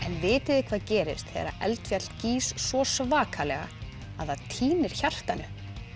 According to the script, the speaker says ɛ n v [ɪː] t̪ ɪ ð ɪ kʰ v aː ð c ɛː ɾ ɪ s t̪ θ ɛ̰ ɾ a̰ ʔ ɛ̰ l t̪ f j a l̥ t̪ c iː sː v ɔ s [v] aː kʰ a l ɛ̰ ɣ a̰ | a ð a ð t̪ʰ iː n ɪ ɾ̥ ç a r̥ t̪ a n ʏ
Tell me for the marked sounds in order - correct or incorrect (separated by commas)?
correct, correct